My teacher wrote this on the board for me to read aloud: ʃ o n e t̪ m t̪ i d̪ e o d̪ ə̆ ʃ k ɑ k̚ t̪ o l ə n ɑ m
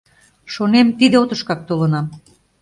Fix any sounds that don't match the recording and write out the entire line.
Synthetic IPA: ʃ o n e m t̪ i d̪ e o t̪ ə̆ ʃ k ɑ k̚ t̪ o l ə n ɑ m